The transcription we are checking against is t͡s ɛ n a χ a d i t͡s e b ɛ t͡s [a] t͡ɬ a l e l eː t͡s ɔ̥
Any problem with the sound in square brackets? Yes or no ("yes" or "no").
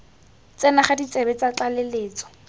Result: no